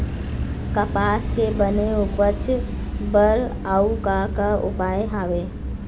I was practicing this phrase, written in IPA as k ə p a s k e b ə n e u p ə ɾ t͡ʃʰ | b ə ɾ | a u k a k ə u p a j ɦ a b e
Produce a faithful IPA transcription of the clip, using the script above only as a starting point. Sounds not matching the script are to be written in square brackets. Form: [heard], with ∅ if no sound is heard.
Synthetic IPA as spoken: k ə p a s k e b ə n e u p ə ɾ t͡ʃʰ | b ə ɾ | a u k a k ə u p a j ɦ a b e